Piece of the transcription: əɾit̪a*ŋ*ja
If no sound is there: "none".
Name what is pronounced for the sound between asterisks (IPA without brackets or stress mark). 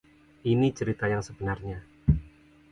none